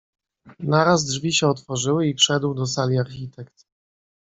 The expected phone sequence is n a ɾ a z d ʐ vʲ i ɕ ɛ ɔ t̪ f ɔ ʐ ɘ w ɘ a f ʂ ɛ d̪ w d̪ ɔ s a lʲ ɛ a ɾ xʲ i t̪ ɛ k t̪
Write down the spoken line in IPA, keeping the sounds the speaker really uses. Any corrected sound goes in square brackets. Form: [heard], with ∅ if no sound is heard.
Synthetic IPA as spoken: n a ɾ a z d ʐ vʲ i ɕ ɛ ɔ t̪ f ɔ ʐ ɘ w ɘ [i] f ʂ ɛ d̪ w d̪ ɔ s a lʲ [i] a ɾ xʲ i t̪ ɛ k t̪

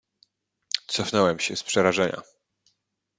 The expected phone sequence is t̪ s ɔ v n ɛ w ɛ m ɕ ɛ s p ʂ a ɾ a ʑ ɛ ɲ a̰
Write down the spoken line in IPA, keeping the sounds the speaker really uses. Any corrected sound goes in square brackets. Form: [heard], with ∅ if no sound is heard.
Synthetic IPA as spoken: t̪ s ɔ [f] n ɛ w ɛ m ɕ ɛ s p ʂ [ɛ] ɾ a [ʐ] ɛ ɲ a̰

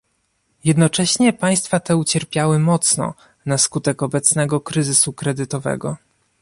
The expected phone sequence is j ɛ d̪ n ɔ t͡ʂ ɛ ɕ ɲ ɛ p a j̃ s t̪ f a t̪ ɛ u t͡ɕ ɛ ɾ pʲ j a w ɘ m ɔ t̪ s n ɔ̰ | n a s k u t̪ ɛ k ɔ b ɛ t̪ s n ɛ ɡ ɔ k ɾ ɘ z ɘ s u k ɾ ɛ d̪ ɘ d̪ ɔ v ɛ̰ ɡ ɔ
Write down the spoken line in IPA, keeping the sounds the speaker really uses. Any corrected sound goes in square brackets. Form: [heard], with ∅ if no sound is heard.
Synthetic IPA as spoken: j ɛ d̪ n ɔ t͡ʂ ɛ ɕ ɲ ɛ p a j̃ s t̪ f a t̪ ɛ u t͡ɕ ɛ ɾ pʲ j a w ɘ m ɔ t̪ s n ɔ̰ | n a s k u t̪ ɛ k ɔ b ɛ t̪ s n ɛ ɡ ɔ k ɾ ɘ z ɘ s u k ɾ ɛ d̪ ɘ [t̪] ɔ v ɛ̰ ɡ ɔ

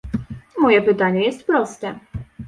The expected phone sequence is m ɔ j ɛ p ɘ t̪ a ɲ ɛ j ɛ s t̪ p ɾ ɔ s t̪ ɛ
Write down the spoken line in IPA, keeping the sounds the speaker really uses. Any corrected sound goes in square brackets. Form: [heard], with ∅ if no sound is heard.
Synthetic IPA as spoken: m ɔ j ɛ p ɘ t̪ a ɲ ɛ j ɛ s t̪ p ɾ ɔ s t̪ ɛ

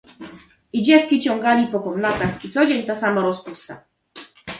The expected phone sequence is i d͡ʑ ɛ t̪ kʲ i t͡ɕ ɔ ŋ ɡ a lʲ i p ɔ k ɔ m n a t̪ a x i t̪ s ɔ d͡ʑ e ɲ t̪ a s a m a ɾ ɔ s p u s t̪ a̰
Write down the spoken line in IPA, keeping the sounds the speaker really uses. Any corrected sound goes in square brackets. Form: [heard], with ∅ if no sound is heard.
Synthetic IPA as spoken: i d͡ʑ ɛ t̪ kʲ i t͡ɕ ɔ ŋ ɡ a lʲ i p ɔ k ɔ m n a t̪ a x i t̪ s ɔ d͡ʑ e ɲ t̪ a s a m a ɾ ɔ s p u s t̪ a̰

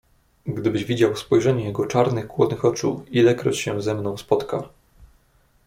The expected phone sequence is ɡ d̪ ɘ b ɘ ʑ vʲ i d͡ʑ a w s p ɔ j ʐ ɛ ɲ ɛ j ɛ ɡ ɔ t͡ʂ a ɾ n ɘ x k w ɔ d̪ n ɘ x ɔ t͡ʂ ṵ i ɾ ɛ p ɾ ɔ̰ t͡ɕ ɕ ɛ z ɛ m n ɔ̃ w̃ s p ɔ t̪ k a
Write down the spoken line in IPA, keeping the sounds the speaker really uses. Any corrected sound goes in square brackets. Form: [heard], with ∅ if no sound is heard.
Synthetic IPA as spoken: ɡ d̪ ɘ b ɘ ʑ vʲ i d͡ʑ a w s p ɔ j ʐ ɛ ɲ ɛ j ɛ ɡ ɔ t͡ʂ a ɾ n ɘ x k w ɔ d̪ n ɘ x ɔ t͡ʂ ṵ i [l] ɛ [k] ɾ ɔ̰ t͡ɕ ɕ ɛ z ɛ m n ɔ̃ w̃ s p ɔ t̪ k a

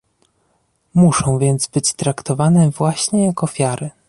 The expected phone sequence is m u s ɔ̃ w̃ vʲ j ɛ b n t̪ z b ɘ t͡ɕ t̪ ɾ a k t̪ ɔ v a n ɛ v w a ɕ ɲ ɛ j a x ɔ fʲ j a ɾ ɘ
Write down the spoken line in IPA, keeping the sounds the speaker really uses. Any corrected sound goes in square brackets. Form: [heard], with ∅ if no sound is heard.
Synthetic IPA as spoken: m u [ʂ] ɔ̃ w̃ vʲ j ɛ [∅] n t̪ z b ɘ t͡ɕ t̪ ɾ a k t̪ ɔ v a n ɛ v w a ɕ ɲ ɛ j a [k] ɔ fʲ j a ɾ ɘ

